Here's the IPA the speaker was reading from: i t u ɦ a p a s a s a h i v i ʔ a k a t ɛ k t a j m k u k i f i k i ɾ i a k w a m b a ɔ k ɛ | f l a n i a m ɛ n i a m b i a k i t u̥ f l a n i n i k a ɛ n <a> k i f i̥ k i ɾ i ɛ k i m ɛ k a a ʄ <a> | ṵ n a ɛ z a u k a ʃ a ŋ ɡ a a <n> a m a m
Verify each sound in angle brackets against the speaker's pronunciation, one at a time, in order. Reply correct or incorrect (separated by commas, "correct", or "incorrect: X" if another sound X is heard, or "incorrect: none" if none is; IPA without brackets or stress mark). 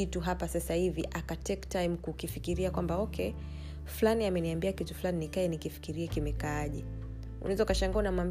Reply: incorrect: i, incorrect: ɛ, correct